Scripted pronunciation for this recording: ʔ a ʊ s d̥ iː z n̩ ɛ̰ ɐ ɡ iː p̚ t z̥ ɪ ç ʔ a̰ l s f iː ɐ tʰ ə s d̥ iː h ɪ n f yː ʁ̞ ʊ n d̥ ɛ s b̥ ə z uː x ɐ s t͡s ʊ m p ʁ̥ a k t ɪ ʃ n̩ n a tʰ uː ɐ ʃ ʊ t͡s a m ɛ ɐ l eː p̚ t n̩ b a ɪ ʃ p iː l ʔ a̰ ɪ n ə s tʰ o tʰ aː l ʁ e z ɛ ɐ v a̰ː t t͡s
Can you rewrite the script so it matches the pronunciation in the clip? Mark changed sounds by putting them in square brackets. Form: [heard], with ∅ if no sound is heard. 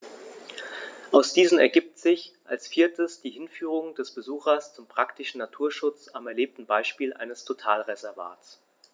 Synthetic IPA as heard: ʔ a ʊ s d̥ iː z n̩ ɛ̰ ɐ ɡ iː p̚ t z̥ ɪ ç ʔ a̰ l s f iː ɐ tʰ ə s d̥ iː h ɪ n f yː ʁ̞ ʊ [ŋ] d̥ ɛ s b̥ ə z uː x ɐ s t͡s ʊ m p ʁ̥ a k t ɪ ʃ n̩ n a tʰ uː ɐ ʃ ʊ t͡s a m ɛ ɐ l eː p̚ t n̩ b a ɪ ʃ p iː l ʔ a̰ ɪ n ə s tʰ o tʰ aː l ʁ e z ɛ ɐ v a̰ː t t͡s